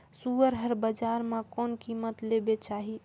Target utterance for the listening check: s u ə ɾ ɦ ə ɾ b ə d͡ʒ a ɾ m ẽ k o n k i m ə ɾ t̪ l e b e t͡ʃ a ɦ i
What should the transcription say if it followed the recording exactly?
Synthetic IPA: s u ə ɾ ɦ ə ɾ b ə d͡ʒ a ɾ m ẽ k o n k i m ə t̪ l e b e t͡ʃ a ɦ i